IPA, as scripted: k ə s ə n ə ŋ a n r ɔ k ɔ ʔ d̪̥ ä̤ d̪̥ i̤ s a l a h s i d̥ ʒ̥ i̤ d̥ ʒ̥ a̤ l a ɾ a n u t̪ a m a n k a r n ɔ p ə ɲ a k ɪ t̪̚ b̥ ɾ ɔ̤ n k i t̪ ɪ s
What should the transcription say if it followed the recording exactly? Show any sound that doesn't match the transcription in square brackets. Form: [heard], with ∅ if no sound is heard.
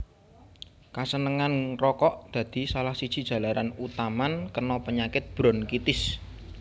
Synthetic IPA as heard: k [a] s ə n ə ŋ a n r ɔ k ɔ ʔ d̪̥ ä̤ d̪̥ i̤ s a l a h s i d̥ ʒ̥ i̤ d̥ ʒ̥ a̤ l a ɾ a n u t̪ a m a n k [ə] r n ɔ p ə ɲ a k ɪ t̪̚ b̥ ɾ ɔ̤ n k i t̪ ɪ s